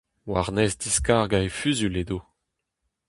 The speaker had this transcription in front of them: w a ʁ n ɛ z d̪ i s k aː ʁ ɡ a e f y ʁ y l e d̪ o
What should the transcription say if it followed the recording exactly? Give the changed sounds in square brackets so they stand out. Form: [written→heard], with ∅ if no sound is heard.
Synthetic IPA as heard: w a ʁ n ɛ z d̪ i s k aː ʁ ɡ a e f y [ʁ→z] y l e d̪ o